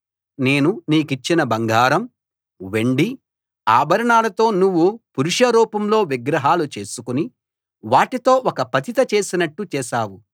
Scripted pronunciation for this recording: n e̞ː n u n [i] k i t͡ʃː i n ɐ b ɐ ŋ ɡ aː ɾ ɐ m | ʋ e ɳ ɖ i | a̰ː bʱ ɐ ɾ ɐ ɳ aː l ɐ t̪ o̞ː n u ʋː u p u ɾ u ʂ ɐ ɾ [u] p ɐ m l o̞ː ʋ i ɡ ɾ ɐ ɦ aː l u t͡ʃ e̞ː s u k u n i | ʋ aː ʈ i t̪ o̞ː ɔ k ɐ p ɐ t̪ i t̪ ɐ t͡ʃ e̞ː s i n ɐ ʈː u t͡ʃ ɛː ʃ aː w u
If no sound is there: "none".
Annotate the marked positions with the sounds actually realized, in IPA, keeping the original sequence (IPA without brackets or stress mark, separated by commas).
iː, uː